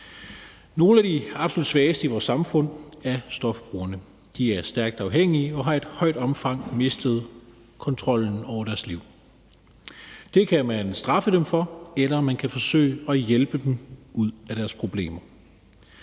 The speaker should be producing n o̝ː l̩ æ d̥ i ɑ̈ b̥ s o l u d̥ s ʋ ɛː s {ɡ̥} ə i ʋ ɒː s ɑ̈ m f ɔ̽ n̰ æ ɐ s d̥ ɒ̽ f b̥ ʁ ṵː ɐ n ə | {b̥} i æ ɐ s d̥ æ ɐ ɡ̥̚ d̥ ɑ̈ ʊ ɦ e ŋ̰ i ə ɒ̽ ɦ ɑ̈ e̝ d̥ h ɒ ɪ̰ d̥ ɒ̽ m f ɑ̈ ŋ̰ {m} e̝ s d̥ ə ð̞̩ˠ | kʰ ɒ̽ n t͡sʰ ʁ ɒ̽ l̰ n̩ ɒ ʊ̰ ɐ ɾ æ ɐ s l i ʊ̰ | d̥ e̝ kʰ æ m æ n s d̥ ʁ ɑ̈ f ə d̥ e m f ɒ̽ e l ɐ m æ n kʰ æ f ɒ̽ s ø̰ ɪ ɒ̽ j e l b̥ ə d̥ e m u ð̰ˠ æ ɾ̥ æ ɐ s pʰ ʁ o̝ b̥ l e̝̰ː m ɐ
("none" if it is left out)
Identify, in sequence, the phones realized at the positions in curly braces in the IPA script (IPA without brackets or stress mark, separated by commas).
d̥, d̥, m